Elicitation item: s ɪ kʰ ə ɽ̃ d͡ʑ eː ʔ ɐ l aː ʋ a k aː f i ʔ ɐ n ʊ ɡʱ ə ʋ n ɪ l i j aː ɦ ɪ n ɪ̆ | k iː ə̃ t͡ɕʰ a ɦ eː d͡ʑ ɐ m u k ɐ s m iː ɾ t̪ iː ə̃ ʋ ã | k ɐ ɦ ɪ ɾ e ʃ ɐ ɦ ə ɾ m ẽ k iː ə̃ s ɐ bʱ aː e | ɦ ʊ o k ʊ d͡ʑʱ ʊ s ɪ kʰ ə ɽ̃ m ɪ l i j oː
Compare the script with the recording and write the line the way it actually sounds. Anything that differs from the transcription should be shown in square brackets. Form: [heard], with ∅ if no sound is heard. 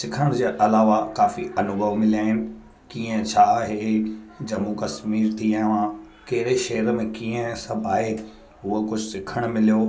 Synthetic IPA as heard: s ɪ kʰ ə ɽ̃ d͡ʑ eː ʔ ɐ l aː ʋ a k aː f i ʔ ɐ n ʊ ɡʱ ə ʋ [m] ɪ l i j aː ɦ ɪ n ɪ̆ | k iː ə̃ t͡ɕʰ a ɦ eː d͡ʑ ɐ m u k ɐ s m iː ɾ t̪ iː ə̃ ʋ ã | k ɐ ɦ ɪ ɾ e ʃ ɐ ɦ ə ɾ m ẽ k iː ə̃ s ɐ bʱ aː e | ɦ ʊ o k ʊ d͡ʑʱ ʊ s ɪ kʰ ə ɽ̃ m ɪ l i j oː